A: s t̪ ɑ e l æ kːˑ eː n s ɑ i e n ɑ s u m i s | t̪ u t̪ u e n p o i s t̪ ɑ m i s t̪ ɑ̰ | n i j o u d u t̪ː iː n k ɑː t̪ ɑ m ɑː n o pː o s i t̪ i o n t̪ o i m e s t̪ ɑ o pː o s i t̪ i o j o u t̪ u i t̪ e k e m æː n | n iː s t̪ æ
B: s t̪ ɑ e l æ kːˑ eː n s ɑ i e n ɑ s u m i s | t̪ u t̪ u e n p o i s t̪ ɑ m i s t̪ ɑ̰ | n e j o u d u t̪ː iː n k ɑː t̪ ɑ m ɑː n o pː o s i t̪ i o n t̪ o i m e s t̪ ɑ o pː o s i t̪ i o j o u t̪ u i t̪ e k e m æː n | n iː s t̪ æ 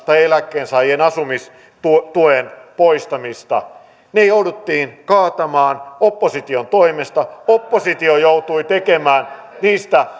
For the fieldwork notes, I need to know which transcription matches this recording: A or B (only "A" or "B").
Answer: B